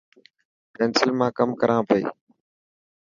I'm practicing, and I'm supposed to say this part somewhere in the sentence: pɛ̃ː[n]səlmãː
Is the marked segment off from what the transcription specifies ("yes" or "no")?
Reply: no